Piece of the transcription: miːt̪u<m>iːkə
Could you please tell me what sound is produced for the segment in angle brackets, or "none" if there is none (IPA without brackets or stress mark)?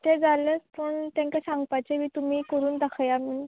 m